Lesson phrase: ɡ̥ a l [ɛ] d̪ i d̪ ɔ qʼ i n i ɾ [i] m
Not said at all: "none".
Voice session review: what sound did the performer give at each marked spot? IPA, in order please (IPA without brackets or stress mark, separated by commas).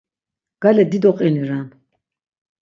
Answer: ɛ, a